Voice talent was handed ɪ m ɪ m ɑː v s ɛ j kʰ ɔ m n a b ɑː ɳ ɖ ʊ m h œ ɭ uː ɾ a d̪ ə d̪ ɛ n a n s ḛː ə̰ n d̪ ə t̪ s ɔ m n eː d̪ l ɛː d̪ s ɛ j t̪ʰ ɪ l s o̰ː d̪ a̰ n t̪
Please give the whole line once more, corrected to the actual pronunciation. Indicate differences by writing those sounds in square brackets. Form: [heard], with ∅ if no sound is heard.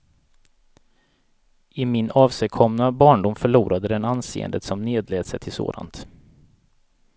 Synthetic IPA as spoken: ɪ m ɪ [n] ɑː v s ɛ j kʰ ɔ m n a b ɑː ɳ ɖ ʊ m [f] œ ɭ uː ɾ a d̪ ə d̪ ɛ n a n s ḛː ə̰ n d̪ ə t̪ s ɔ m n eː d̪ l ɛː d̪ s ɛ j t̪ʰ ɪ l s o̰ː d̪ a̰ n t̪

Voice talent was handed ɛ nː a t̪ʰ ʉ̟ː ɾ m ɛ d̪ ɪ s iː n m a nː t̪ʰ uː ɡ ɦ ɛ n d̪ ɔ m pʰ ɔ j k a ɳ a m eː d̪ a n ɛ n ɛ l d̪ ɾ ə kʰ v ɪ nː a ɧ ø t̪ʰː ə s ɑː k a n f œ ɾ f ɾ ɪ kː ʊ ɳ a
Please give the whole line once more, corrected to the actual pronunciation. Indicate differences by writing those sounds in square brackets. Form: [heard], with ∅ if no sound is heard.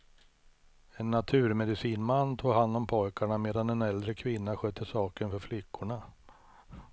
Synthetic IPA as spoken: ɛ nː a t̪ʰ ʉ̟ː ɾ m ɛ d̪ ɪ s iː n m a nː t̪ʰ uː ɡ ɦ [a] n d̪ ɔ m pʰ ɔ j k a ɳ a m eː d̪ a n ɛ n ɛ l d̪ ɾ ə kʰ v ɪ nː a ɧ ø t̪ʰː ə s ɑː k [ə] n f œ ɾ f [l] ɪ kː ʊ ɳ a

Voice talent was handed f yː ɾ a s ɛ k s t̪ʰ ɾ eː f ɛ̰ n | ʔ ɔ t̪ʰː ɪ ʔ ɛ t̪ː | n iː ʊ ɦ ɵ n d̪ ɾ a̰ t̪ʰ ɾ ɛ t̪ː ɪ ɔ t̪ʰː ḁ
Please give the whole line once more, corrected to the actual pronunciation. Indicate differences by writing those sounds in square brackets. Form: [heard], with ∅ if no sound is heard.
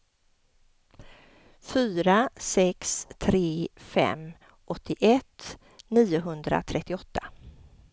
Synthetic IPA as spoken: f yː ɾ a s ɛ k s t̪ʰ ɾ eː f ɛ̰ [m] | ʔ ɔ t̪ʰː ɪ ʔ ɛ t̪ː | n iː ʊ ɦ ɵ n d̪ ɾ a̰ t̪ʰ ɾ ɛ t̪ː ɪ ɔ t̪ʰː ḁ

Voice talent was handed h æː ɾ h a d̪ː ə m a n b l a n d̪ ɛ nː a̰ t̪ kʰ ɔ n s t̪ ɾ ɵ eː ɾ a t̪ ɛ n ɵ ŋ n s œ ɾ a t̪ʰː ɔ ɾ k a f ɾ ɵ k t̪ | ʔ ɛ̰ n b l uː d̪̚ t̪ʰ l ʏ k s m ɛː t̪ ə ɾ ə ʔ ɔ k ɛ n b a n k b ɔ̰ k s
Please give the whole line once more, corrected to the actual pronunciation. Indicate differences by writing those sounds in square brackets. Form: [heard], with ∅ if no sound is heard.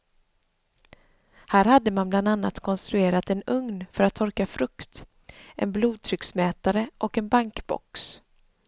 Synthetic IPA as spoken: h æː ɾ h a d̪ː ə m a n b l a n d̪ [a] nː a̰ t̪ kʰ ɔ n s t̪ ɾ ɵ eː ɾ a t̪ ɛ n ɵ ŋ n [f] œ ɾ a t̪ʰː ɔ ɾ k a f ɾ ɵ k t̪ | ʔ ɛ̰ n b l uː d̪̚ t̪ʰ [ɾ] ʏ k s m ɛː t̪ [a] ɾ ə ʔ ɔ k ɛ n b a [ŋ] k b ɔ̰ k s

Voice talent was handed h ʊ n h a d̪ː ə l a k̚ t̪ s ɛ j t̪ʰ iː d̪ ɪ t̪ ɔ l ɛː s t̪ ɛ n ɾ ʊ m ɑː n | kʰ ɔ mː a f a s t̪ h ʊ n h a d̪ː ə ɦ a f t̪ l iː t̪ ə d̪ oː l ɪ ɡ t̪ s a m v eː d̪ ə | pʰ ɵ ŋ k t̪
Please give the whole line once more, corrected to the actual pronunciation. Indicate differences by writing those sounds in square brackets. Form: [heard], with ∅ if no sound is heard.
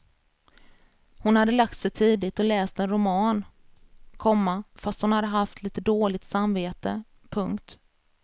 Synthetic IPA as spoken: h ʊ n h a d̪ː ə l a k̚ t̪ s ɛ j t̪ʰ iː d̪ ɪ t̪ ɔ l ɛː s t̪ ɛ n ɾ ʊ m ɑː n | kʰ ɔ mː a f a s t̪ h ʊ n h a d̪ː ə ɦ a f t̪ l iː t̪ ə d̪ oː l ɪ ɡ t̪ s a m v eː [t̪] ə | pʰ ɵ ŋ k t̪

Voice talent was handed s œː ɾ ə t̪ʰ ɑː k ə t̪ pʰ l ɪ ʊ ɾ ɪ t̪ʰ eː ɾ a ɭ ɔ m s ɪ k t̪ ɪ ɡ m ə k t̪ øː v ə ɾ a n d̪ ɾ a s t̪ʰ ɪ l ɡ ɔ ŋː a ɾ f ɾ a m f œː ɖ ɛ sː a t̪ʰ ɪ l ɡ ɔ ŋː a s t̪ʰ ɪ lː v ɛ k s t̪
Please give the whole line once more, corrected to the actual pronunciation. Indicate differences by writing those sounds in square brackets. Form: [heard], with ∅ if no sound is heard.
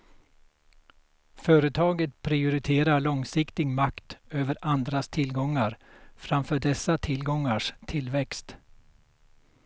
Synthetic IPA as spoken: [f] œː ɾ ə t̪ʰ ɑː [ɡ] ə t̪ pʰ [ɾ] ɪ ʊ ɾ ɪ t̪ʰ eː ɾ a ɭ ɔ [ŋ] s ɪ k t̪ ɪ ɡ m [a] k t̪ øː v ə ɾ a n d̪ ɾ a s t̪ʰ ɪ l ɡ ɔ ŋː a ɾ f ɾ a m f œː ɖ ɛ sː a t̪ʰ ɪ l ɡ ɔ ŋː a [ʂ] t̪ʰ ɪ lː v ɛ k s t̪

